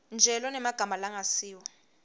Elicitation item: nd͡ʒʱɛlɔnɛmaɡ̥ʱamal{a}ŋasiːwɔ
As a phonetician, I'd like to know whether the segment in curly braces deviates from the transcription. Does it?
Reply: no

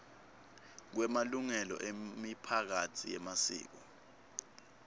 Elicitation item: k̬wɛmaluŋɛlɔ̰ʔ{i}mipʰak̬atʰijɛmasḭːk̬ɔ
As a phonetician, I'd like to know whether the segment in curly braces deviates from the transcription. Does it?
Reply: yes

